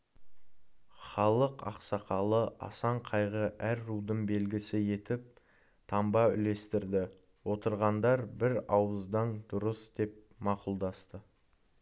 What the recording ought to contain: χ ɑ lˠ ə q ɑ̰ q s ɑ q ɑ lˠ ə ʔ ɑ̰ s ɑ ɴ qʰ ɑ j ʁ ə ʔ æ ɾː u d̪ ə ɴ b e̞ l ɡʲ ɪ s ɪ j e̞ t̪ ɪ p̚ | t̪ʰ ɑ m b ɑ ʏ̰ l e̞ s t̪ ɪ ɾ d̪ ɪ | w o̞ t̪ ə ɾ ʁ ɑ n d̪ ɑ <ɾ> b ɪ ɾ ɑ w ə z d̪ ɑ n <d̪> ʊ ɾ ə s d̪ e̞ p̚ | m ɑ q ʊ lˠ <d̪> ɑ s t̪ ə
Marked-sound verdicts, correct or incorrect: correct, correct, correct

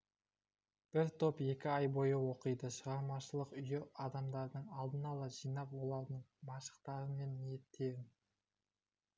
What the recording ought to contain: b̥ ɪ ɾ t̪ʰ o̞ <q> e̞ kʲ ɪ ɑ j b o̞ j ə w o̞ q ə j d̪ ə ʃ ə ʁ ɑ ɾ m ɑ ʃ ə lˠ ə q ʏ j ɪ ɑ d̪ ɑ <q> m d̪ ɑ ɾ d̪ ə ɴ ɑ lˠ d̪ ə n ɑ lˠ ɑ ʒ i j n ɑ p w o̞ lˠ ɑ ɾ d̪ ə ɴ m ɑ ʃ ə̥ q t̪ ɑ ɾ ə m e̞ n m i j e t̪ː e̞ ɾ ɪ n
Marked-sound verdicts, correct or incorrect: incorrect, incorrect

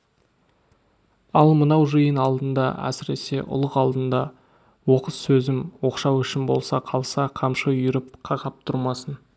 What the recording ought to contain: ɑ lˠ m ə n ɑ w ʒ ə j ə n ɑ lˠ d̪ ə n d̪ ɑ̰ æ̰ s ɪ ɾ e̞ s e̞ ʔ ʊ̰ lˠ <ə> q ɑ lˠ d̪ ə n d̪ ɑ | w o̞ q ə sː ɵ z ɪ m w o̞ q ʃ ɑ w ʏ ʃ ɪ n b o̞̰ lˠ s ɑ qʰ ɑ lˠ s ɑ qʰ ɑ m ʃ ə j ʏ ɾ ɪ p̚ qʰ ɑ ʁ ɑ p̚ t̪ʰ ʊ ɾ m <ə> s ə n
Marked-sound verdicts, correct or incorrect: correct, incorrect

